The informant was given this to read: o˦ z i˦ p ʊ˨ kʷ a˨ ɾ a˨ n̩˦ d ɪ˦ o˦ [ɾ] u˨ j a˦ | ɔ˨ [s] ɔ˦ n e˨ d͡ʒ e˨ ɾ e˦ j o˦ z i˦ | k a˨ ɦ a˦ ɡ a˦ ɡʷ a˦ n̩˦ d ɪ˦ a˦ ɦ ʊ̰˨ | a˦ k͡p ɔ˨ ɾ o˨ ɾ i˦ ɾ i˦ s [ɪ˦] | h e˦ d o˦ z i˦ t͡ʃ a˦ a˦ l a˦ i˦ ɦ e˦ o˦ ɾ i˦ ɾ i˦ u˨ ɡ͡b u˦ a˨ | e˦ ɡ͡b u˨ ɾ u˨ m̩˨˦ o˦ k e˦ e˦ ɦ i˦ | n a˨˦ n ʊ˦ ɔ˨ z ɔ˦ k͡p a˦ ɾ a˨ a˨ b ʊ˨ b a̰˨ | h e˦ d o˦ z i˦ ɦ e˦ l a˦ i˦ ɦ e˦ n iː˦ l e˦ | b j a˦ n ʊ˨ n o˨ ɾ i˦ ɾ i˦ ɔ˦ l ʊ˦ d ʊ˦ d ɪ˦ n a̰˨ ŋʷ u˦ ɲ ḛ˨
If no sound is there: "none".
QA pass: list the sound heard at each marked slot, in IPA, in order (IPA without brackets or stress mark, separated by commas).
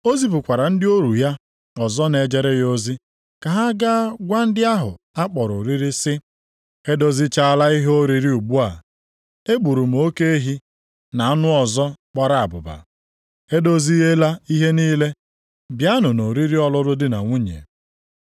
ɾ, z, ɪ˦